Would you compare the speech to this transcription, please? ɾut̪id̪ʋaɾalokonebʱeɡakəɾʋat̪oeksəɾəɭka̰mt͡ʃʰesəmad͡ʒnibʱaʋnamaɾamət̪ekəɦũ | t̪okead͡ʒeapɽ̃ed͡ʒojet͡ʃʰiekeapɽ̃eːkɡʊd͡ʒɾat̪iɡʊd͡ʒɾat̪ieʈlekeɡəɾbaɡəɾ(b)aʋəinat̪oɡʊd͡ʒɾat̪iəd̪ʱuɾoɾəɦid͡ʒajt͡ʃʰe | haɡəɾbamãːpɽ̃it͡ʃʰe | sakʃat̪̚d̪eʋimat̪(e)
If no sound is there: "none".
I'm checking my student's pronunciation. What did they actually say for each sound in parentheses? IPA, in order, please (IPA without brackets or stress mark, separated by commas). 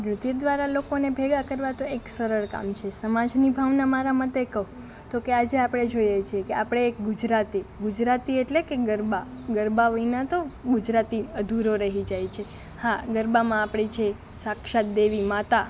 b, a